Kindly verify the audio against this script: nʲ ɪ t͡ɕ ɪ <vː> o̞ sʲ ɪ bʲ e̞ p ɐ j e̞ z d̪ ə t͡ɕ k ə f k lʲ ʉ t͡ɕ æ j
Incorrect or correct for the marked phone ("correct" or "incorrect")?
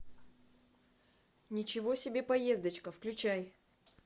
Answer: incorrect